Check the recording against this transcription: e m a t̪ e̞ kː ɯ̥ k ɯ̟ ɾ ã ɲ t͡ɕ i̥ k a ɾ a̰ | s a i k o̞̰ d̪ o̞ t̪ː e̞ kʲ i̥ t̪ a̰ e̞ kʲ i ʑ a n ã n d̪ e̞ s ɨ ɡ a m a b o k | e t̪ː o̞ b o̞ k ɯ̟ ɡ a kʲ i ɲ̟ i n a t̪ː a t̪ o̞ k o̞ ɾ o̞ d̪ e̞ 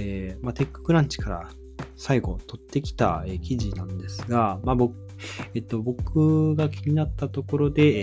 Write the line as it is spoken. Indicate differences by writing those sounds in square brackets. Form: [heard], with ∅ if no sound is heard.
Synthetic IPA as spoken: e m a t̪ e̞ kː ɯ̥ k ɯ̟ ɾ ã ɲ t͡ɕ i̥ k a ɾ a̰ | s a i [ɡ] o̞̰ [t̪] o̞ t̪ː e̞ kʲ i̥ t̪ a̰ e̞ kʲ i ʑ [i] n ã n d̪ e̞ s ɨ ɡ a m a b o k | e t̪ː o̞ b o̞ k ɯ̟ ɡ a kʲ i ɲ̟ i n a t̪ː a t̪ o̞ k o̞ ɾ o̞ d̪ e̞